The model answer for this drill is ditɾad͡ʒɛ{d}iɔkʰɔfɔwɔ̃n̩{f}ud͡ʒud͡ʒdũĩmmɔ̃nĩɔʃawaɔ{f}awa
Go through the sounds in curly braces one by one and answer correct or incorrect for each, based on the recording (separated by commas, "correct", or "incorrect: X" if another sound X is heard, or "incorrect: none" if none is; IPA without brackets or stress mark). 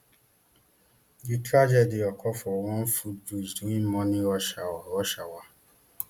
correct, correct, incorrect: ʃ